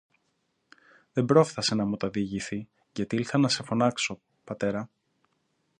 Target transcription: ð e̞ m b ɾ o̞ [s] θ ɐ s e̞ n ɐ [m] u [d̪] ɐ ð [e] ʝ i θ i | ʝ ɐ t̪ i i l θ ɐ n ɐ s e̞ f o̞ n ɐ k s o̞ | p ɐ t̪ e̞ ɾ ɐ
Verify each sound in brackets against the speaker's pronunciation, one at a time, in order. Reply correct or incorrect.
incorrect: f, correct, incorrect: t̪, incorrect: i

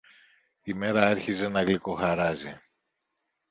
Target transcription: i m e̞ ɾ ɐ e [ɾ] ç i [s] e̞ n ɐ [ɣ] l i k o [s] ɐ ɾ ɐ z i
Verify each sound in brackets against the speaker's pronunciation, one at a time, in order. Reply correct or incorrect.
correct, incorrect: z, correct, incorrect: x

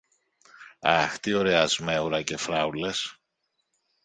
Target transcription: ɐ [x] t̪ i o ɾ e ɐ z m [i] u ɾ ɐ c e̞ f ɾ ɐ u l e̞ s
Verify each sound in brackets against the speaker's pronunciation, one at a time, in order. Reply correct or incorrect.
correct, incorrect: e

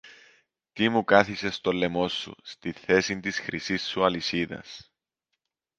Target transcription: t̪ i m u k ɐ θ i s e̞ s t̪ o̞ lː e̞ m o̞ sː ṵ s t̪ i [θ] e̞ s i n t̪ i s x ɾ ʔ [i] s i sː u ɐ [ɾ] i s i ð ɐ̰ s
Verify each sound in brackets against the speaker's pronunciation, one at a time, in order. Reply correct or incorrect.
correct, correct, incorrect: l

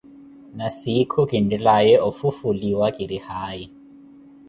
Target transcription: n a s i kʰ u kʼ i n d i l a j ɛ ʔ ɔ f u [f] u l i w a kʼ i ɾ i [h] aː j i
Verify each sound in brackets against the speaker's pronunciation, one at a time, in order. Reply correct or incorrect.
correct, correct

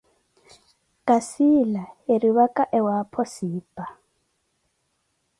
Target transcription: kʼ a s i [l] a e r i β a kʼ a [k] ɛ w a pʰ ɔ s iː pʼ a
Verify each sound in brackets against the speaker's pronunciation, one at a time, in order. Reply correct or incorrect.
correct, incorrect: ʔ

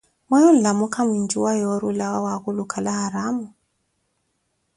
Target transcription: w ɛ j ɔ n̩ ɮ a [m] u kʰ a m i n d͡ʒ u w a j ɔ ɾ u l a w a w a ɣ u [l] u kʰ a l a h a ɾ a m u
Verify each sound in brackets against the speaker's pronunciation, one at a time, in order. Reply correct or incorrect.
correct, correct

